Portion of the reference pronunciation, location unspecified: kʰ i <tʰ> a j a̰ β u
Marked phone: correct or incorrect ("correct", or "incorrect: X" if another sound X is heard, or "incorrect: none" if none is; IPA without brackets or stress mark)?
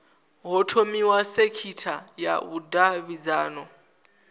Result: correct